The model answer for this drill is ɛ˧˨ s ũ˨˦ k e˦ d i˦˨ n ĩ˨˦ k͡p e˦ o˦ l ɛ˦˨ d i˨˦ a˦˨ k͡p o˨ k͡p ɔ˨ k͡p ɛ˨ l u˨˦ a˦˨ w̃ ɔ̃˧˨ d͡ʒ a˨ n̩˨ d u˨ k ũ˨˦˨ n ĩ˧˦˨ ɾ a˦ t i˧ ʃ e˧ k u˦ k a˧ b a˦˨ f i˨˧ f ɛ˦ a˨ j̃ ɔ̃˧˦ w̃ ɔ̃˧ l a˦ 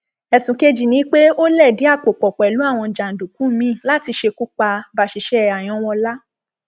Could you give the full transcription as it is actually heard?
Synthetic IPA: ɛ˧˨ s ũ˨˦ k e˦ d͡ʒ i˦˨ n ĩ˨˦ k͡p e˦ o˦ l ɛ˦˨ d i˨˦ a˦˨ k͡p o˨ k͡p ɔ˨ k͡p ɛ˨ l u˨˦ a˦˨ w̃ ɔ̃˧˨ d͡ʒ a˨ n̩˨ d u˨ k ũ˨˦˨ m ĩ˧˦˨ l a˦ t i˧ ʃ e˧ k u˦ k͡p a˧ b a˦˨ ʃ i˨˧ ʃ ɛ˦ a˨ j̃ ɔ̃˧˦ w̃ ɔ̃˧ l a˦